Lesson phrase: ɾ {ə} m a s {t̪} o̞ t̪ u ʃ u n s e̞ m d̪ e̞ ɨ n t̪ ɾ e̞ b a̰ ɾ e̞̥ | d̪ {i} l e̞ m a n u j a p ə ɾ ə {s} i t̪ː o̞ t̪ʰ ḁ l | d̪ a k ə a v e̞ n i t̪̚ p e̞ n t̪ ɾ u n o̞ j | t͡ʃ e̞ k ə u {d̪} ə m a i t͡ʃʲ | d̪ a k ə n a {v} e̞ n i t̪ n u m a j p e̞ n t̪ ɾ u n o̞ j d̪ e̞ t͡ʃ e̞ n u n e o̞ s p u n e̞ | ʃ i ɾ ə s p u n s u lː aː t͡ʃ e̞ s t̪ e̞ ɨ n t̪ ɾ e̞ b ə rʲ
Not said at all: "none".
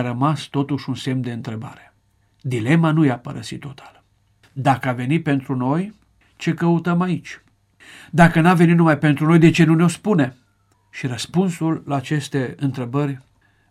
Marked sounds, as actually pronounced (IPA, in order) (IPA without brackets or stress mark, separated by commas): ə, t̪, i, s, t̪, v